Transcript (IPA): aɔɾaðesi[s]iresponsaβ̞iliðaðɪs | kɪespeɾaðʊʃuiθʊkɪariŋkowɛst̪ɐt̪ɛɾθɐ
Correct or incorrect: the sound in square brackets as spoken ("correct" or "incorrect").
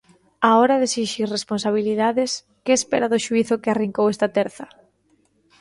incorrect